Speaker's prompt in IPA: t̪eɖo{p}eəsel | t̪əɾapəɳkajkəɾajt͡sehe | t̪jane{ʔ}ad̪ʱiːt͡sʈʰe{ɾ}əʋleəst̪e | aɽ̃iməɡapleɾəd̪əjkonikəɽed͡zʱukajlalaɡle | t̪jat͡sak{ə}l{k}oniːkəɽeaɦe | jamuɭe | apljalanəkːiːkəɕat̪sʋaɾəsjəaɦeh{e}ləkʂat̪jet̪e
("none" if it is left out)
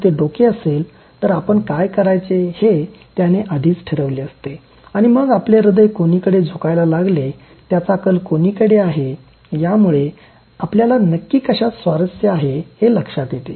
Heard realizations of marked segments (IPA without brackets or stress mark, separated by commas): k, ʔ, ɾ, ə, k, e